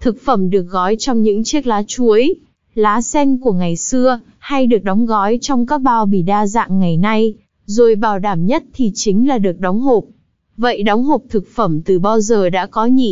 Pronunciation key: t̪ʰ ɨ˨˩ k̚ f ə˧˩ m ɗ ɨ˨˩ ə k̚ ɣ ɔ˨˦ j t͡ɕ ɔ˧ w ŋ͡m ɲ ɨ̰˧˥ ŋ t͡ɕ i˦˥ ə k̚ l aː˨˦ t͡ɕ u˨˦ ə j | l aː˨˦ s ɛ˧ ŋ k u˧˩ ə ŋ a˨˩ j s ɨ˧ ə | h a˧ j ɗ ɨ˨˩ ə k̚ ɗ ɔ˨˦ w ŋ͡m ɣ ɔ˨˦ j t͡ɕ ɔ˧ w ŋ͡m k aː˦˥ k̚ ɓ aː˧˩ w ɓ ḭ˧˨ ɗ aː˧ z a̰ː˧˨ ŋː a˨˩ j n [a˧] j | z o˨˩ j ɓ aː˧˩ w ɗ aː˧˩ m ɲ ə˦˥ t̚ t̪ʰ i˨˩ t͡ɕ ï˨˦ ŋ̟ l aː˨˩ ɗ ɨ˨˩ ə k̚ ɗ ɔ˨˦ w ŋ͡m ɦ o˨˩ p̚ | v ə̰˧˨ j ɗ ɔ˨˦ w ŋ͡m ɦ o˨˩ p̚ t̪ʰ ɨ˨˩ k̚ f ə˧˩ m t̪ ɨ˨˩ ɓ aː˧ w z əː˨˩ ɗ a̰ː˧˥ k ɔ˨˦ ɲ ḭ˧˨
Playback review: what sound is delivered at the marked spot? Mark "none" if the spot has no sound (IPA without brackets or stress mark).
a˧